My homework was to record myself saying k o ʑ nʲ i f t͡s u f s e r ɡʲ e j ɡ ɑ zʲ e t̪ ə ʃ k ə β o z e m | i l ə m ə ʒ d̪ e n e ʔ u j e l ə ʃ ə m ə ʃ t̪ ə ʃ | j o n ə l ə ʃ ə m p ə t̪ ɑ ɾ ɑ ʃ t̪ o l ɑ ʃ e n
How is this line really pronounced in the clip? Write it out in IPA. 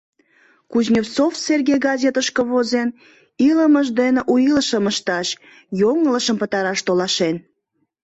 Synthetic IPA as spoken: k u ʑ nʲ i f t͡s o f s e r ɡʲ e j ɡ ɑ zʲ e t̪ ə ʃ k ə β o z e n | i l ə m ə ʒ d̪ e n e ʔ u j i l ə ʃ ə m ə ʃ t̪ ɑ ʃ | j o ŋ ə l ə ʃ ə m p ə t̪ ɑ ɾ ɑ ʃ t̪ o l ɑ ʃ e n